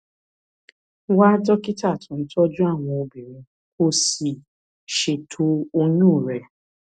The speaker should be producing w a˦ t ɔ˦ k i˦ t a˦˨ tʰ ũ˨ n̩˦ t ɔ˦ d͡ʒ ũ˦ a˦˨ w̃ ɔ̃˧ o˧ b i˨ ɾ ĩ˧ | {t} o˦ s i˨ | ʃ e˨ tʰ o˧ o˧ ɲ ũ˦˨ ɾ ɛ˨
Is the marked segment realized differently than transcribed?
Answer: yes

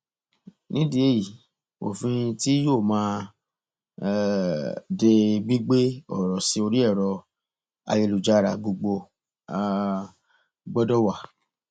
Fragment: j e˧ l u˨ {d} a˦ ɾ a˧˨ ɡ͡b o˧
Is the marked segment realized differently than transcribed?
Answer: yes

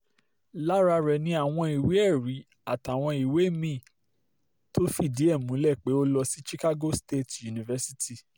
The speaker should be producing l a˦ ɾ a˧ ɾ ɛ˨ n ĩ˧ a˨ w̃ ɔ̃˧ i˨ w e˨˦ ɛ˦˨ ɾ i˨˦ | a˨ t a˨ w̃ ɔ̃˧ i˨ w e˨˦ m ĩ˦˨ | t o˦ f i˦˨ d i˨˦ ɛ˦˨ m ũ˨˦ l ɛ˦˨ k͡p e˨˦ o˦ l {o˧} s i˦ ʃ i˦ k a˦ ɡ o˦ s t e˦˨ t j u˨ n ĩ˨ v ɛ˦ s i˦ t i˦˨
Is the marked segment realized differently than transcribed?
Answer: yes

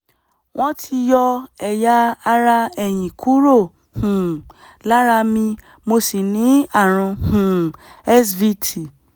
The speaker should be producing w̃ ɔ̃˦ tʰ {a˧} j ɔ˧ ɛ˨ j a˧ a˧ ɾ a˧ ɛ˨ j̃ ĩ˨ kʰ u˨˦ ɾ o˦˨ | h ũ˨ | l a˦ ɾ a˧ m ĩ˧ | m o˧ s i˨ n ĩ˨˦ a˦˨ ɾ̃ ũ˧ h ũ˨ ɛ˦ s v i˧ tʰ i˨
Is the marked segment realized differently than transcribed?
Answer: yes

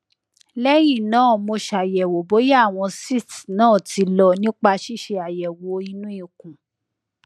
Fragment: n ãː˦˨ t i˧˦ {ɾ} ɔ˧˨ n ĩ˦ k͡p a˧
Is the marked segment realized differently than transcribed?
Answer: yes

